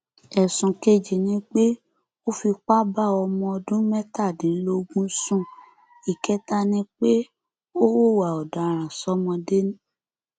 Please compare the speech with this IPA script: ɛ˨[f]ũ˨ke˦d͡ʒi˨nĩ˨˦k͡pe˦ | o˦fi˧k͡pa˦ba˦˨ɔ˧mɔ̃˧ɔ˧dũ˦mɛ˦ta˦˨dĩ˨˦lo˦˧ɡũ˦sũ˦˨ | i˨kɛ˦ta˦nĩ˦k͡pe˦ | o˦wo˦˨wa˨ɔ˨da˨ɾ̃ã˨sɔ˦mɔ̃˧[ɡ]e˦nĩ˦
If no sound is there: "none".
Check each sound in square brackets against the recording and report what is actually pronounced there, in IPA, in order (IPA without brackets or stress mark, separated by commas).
s, d